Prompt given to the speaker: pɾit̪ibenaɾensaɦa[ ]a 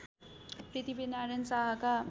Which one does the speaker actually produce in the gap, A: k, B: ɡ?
A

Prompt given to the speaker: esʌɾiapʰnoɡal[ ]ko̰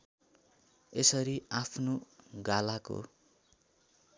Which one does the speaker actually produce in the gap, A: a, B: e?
A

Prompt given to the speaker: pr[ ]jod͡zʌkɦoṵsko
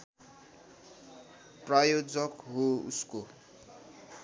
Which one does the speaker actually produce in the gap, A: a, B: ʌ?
A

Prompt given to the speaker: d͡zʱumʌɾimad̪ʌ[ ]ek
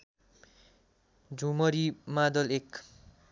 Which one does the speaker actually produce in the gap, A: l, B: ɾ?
A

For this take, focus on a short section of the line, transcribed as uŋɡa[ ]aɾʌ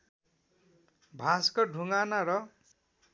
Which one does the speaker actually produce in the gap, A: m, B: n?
B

